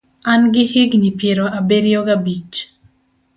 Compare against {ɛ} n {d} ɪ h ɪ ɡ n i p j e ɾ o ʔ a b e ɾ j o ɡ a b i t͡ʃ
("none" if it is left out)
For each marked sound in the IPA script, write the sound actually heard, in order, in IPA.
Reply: a, ɡ

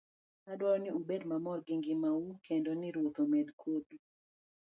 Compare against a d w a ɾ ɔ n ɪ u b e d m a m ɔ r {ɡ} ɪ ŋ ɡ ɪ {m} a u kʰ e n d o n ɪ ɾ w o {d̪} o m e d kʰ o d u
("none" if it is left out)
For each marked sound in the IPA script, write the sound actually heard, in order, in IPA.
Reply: ɡ, m, t̪

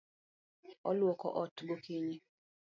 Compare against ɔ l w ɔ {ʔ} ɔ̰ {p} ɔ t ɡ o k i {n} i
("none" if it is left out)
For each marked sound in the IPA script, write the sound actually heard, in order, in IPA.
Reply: k, ʔ, ɲ

